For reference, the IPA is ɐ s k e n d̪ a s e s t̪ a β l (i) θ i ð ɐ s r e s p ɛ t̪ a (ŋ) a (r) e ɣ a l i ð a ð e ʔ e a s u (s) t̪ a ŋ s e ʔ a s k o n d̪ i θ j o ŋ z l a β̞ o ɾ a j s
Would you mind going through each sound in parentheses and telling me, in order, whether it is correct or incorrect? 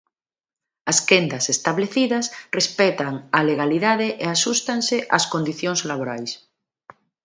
incorrect, correct, incorrect, correct

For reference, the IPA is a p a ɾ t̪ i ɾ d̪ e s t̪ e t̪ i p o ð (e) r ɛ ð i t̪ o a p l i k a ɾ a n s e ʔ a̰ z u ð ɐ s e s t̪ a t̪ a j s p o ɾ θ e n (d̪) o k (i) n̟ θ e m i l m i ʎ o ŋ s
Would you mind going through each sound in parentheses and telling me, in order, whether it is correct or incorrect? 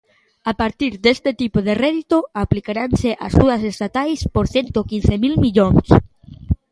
correct, incorrect, correct

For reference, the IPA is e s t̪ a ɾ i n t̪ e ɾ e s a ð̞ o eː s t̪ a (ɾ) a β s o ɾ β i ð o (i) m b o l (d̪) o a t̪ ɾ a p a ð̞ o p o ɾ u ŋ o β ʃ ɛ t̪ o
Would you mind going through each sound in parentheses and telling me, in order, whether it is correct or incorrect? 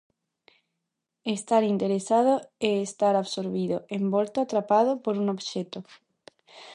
correct, incorrect, incorrect

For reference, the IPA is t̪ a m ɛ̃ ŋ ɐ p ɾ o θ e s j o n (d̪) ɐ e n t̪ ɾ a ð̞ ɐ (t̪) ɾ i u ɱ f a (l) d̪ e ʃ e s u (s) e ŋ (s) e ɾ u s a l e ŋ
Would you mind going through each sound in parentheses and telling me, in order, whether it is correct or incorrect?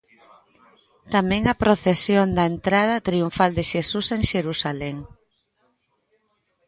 correct, correct, correct, correct, incorrect

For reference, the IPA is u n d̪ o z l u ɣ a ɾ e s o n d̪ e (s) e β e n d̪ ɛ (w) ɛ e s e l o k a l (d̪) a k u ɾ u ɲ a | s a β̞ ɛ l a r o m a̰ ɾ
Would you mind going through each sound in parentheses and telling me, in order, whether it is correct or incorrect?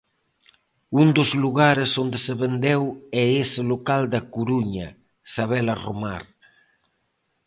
correct, correct, correct

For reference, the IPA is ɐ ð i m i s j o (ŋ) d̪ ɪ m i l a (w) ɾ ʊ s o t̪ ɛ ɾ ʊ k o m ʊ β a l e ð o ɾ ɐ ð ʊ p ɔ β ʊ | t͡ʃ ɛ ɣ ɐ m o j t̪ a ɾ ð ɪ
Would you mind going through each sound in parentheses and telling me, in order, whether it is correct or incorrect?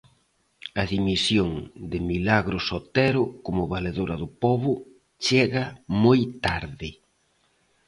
correct, incorrect

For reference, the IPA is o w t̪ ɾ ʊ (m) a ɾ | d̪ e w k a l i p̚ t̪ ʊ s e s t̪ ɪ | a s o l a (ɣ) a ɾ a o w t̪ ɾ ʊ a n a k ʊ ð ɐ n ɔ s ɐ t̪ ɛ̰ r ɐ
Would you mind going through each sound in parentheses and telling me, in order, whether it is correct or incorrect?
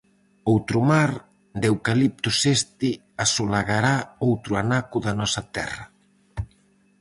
correct, correct

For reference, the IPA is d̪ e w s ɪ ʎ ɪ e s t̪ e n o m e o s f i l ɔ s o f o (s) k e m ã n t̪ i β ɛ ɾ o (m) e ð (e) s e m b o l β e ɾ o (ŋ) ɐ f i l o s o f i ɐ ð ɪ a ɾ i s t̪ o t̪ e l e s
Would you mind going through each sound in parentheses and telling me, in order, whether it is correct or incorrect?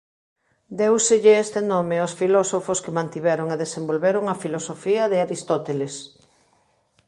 correct, incorrect, correct, correct

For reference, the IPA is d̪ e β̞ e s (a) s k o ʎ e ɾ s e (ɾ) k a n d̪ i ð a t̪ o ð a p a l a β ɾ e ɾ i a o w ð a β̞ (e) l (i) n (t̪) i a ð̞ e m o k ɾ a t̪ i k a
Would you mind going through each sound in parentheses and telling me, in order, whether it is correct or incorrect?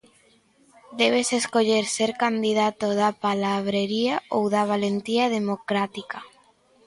incorrect, correct, incorrect, incorrect, correct

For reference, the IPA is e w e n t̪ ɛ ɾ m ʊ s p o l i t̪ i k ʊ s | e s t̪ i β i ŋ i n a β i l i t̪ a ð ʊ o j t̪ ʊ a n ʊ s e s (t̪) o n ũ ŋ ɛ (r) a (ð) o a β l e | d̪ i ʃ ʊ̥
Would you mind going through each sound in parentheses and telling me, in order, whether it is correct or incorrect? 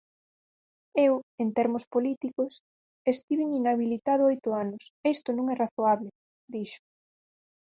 correct, correct, incorrect

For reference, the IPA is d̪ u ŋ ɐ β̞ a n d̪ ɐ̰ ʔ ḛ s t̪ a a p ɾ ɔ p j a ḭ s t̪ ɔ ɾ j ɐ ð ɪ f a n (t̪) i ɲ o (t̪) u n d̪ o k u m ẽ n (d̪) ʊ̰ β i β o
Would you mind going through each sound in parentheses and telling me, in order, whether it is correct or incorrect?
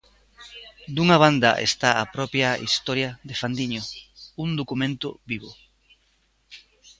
incorrect, incorrect, incorrect

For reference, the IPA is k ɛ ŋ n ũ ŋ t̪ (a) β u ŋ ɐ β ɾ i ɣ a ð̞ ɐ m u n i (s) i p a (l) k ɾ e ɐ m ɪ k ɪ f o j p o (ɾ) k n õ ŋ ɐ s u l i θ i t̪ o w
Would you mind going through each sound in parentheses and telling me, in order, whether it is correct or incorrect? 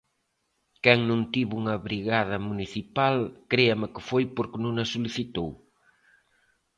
incorrect, incorrect, correct, correct

